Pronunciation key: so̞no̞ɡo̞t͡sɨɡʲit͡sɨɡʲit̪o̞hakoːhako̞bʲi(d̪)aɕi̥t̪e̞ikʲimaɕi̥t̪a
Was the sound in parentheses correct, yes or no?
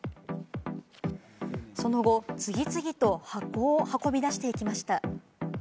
yes